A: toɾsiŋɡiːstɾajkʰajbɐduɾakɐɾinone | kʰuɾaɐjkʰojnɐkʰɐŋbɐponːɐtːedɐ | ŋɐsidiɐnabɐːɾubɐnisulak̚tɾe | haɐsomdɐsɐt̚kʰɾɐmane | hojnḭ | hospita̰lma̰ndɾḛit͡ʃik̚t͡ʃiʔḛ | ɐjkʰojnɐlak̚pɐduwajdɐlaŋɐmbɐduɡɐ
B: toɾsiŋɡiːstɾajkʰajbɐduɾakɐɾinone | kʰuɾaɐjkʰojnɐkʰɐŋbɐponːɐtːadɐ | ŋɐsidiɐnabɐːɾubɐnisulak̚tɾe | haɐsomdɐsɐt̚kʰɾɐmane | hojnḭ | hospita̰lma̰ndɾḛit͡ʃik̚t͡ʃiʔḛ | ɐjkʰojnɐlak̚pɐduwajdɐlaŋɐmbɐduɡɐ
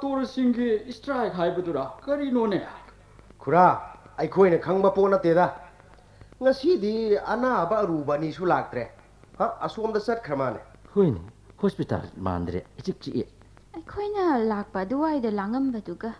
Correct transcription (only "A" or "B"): A